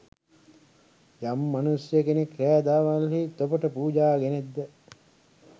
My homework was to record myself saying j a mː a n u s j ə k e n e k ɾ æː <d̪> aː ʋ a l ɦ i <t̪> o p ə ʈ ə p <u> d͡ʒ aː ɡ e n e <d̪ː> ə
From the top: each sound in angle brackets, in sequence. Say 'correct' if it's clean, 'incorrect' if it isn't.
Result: correct, correct, incorrect: uː, correct

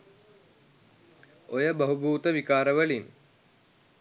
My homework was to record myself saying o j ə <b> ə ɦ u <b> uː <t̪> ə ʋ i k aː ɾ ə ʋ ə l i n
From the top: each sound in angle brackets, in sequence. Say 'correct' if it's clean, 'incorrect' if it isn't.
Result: correct, correct, correct

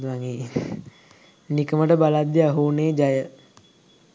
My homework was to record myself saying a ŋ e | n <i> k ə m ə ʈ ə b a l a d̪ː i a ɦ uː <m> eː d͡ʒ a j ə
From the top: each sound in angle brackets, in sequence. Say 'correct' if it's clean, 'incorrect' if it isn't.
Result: correct, incorrect: n

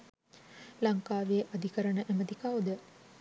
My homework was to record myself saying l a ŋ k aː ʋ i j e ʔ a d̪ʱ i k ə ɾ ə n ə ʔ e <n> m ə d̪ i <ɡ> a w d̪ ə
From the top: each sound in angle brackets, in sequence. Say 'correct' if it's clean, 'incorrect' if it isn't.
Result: incorrect: none, incorrect: k

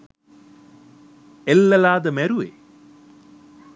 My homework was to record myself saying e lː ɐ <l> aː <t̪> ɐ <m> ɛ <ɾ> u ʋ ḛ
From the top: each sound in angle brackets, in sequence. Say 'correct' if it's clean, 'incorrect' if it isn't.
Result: correct, incorrect: d̪, correct, correct

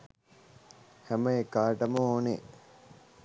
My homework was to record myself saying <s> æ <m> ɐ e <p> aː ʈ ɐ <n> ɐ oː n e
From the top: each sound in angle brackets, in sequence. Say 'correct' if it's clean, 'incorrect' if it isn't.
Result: incorrect: h, correct, incorrect: k, incorrect: m

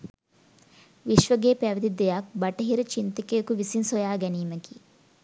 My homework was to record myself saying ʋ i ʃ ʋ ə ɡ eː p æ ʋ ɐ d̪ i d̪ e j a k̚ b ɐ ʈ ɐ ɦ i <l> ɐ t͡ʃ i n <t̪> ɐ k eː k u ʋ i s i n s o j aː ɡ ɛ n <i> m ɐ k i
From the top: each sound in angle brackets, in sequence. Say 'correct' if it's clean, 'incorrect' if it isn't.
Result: incorrect: ɾ, correct, incorrect: iː

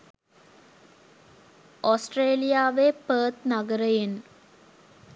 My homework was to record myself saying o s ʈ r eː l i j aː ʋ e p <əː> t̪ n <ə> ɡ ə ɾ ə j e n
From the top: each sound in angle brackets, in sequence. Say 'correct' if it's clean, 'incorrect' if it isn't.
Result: correct, incorrect: a

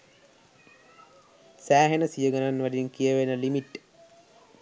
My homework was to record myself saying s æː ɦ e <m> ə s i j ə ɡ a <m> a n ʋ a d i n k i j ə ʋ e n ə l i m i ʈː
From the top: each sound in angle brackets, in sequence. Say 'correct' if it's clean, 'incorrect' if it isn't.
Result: incorrect: n, incorrect: n

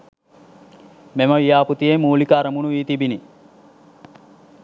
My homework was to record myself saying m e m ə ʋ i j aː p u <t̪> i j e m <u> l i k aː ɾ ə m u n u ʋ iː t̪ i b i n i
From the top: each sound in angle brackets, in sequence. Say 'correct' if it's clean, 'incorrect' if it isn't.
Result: correct, incorrect: uː

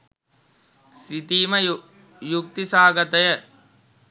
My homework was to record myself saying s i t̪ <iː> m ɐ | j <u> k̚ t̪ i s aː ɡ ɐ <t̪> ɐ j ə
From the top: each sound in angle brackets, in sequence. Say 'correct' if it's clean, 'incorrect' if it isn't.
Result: correct, correct, correct

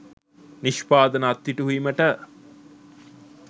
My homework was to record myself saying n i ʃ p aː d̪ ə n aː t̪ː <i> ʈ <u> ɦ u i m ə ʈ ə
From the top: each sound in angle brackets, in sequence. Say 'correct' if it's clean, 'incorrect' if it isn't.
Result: correct, correct

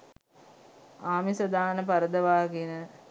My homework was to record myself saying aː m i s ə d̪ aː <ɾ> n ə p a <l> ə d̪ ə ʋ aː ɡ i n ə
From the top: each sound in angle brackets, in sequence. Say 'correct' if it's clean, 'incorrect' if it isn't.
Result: incorrect: none, incorrect: ɾ

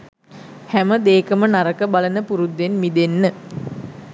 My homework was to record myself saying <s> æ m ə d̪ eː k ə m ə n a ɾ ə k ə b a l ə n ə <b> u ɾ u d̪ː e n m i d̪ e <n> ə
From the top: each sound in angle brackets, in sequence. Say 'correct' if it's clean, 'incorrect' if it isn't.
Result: incorrect: h, incorrect: p, incorrect: nː

